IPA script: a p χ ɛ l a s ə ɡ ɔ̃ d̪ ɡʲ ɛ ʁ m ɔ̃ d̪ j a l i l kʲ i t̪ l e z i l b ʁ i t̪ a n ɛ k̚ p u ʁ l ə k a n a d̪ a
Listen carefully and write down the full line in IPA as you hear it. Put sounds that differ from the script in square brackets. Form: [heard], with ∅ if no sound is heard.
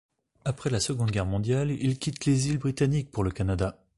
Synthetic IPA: a p χ ɛ l a s ə ɡ ɔ̃ d̪ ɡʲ ɛ ʁ m ɔ̃ d̪ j a l i l kʲ i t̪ l e z i l b ʁ i t̪ a n [i] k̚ p u ʁ l ə k a n a d̪ a